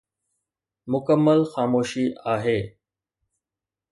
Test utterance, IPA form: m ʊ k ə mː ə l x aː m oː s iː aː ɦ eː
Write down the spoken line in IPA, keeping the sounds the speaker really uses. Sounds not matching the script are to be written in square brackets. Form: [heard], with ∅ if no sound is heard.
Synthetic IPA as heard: m ʊ k ə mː ə l x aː m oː [ʃ] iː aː ɦ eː